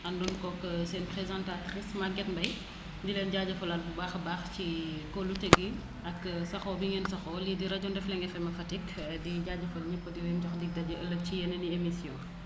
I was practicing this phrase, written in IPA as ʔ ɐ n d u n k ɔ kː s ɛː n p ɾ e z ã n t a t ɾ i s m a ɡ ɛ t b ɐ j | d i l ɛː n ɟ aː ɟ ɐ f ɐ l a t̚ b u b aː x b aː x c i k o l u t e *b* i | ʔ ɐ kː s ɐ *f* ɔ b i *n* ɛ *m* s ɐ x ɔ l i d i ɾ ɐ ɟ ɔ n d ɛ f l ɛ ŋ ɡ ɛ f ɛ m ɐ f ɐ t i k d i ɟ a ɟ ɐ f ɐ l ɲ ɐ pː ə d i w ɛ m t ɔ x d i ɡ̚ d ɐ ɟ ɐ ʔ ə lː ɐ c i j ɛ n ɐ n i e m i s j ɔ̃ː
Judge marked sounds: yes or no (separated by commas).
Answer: no, no, no, no